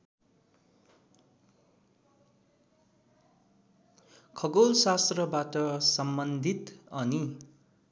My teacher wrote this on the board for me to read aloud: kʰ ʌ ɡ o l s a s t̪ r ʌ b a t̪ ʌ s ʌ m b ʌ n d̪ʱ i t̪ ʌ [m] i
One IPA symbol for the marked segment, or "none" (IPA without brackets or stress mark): n